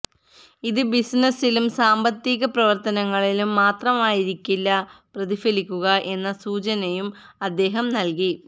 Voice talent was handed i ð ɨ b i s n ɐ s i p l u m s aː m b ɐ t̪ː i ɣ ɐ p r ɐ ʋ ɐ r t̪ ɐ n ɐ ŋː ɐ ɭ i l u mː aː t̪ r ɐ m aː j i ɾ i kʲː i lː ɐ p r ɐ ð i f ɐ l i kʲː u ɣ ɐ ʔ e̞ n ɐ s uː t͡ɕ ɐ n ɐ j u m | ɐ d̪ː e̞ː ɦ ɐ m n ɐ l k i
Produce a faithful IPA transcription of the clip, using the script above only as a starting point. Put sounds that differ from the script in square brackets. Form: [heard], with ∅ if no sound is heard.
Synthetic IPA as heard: i ð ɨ b i s n ɐ s i [∅] l u m s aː m b ɐ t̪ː i ɣ ɐ p r ɐ ʋ ɐ r t̪ ɐ n ɐ ŋː ɐ ɭ i l u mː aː t̪ r ɐ m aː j i ɾ i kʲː i lː ɐ p r ɐ ð i f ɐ l i kʲː u ɣ ɐ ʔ e̞ [nː] ɐ s uː t͡ɕ ɐ n ɐ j u m | ɐ d̪ː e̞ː ɦ ɐ m n ɐ l k i